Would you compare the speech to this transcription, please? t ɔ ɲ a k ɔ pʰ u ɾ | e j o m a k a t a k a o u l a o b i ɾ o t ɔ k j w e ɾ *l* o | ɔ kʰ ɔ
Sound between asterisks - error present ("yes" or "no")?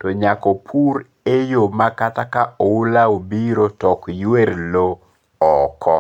no